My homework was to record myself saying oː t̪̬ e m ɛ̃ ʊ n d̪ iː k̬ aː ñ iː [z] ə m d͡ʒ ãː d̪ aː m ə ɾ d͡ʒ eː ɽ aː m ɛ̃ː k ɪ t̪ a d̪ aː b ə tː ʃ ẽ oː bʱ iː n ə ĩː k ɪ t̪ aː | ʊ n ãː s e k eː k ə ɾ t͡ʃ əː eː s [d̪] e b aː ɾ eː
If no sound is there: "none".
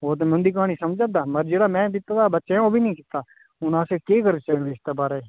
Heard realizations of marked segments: s, t̪

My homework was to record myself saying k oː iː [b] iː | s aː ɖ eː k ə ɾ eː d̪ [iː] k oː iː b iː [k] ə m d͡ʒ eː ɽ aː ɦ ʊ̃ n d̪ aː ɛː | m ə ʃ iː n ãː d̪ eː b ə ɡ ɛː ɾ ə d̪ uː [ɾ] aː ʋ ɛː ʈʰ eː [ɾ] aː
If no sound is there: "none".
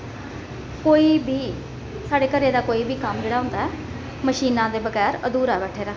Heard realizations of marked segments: b, aː, k, ɾ, ɾ

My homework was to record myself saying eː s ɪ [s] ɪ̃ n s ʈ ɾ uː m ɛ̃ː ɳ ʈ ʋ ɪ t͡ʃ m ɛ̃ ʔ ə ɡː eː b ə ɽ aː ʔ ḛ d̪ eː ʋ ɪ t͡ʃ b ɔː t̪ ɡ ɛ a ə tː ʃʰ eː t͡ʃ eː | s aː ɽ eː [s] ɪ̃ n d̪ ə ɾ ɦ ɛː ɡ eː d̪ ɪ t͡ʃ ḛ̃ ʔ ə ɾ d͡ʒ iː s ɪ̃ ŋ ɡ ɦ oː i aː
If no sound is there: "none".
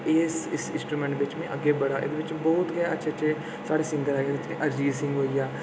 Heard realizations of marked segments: s, s

